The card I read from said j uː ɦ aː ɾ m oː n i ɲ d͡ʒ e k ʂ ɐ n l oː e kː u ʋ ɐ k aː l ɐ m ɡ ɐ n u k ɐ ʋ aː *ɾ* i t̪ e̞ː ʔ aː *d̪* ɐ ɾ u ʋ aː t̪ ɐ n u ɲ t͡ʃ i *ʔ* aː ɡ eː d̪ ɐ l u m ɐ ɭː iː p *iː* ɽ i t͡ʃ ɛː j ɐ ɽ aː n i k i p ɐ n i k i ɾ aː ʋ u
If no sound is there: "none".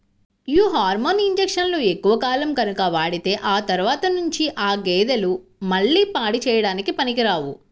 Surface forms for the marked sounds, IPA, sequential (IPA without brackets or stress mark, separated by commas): ɽ, t̪, ʔ, aː